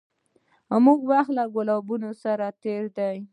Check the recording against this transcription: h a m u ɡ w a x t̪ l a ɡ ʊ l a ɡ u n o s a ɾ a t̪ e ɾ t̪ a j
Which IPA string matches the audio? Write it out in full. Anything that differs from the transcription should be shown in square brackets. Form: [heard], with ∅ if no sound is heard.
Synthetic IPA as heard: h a m u ɡ w a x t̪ l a ɡ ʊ l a [b] u n o s a ɾ a t̪ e ɾ [d̪] a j